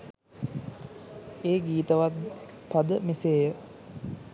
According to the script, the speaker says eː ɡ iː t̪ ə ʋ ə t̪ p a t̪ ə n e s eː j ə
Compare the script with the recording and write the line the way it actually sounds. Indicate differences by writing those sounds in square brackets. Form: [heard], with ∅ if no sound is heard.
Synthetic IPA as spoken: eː ɡ iː t̪ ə ʋ [a] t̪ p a [d̪] ə [m] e s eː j ə